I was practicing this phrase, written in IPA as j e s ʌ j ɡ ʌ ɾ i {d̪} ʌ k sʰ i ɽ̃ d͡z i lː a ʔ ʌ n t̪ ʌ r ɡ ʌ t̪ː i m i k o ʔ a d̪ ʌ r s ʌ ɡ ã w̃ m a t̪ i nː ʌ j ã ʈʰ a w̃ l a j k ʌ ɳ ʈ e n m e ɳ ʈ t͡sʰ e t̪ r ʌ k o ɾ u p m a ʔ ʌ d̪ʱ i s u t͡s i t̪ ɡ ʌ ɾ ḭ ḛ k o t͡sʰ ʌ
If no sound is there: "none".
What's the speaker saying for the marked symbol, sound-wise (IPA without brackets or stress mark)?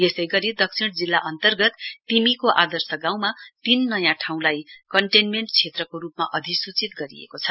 d̪